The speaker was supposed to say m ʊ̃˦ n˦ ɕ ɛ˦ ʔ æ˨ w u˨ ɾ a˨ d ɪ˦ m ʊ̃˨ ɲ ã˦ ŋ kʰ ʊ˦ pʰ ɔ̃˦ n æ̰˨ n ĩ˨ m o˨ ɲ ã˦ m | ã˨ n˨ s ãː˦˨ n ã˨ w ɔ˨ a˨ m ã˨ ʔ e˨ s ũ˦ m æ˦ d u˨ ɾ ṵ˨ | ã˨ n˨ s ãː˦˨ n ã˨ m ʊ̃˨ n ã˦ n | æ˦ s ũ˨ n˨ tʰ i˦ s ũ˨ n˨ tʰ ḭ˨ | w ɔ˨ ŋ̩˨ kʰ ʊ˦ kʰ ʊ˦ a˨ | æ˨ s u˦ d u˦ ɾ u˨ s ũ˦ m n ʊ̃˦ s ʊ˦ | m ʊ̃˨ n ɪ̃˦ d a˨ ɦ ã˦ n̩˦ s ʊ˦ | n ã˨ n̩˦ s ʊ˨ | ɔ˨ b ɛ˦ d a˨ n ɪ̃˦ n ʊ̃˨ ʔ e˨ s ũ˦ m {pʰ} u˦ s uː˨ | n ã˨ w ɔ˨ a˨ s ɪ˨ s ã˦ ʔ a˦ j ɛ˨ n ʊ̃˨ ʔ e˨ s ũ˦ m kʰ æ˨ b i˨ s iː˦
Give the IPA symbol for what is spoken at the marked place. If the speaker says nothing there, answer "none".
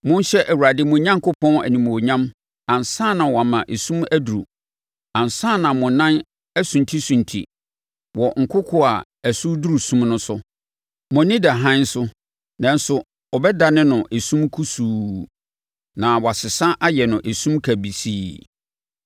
kʰ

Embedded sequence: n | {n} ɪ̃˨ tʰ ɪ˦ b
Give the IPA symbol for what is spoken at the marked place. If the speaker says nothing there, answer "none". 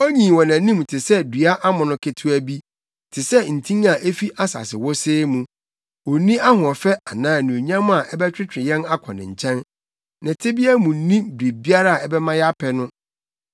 n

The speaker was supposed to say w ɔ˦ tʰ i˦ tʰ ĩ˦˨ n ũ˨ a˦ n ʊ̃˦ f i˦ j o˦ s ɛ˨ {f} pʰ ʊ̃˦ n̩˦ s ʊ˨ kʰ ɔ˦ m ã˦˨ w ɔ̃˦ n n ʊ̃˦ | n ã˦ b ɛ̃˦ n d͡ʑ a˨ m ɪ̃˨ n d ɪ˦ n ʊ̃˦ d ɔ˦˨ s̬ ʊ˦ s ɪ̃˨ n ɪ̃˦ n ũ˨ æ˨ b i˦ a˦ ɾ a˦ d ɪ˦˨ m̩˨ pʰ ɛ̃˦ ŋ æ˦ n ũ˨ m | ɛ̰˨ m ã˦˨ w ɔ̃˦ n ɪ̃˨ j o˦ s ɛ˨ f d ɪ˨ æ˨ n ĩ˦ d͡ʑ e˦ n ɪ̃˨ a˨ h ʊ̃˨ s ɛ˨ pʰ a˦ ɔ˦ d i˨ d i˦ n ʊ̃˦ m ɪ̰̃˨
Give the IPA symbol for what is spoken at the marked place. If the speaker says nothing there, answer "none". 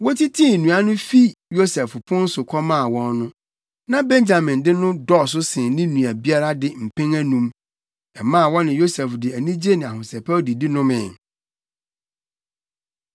f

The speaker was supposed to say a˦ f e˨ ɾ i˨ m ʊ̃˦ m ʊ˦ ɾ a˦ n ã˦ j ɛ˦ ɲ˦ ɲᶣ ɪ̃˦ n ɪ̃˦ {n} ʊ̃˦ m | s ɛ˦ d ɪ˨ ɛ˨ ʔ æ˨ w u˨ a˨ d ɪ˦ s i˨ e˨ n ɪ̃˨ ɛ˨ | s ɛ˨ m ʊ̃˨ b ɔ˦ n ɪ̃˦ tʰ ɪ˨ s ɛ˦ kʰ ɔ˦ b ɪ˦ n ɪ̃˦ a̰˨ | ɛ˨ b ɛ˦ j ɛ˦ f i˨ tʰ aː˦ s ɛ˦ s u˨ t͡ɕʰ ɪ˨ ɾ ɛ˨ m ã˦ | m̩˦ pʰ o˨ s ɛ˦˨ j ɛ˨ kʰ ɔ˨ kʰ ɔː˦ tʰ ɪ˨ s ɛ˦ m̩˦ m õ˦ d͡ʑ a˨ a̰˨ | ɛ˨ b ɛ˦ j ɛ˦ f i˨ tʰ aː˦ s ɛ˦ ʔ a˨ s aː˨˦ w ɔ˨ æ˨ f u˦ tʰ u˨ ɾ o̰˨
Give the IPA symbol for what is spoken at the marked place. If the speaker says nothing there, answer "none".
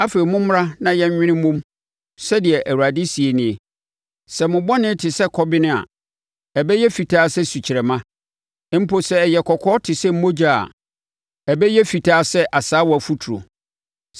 m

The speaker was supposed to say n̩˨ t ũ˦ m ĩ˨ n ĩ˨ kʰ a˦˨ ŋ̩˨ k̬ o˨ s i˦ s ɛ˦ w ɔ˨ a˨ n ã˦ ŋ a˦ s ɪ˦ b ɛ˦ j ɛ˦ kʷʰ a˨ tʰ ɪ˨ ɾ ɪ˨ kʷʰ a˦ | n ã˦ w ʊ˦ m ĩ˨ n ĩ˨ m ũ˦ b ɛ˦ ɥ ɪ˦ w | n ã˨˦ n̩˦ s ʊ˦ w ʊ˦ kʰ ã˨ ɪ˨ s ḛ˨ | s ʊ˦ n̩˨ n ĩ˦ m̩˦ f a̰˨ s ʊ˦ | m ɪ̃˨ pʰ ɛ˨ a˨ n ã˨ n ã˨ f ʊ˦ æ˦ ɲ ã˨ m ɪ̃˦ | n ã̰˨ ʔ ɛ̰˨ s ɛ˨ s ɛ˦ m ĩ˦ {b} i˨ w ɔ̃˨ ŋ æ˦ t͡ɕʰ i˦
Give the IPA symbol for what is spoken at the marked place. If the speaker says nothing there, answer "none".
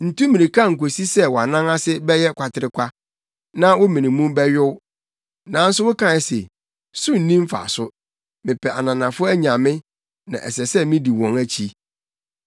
d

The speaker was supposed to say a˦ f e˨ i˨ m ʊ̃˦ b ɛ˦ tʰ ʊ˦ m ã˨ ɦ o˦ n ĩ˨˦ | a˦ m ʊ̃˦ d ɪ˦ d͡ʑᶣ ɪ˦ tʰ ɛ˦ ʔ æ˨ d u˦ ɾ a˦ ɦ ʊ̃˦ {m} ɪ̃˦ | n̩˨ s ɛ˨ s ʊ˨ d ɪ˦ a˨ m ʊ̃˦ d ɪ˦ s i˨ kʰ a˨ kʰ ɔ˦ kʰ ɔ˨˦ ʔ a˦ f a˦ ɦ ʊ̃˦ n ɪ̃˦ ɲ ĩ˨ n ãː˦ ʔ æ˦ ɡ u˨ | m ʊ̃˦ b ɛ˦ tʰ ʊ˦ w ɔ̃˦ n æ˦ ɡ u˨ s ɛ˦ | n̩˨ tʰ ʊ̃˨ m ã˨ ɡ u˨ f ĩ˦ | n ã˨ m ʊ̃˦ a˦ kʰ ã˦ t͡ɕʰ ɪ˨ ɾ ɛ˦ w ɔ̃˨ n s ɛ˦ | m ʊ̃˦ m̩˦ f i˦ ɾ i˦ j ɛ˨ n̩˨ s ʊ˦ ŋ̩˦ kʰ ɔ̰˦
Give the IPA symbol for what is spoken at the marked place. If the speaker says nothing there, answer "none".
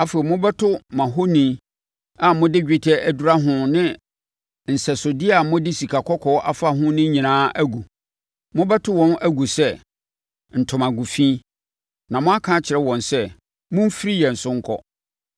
n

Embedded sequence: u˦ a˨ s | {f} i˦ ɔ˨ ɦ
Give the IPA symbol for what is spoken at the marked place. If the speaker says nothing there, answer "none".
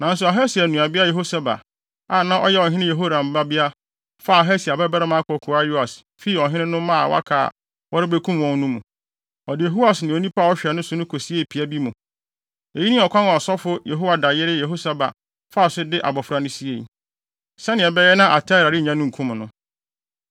f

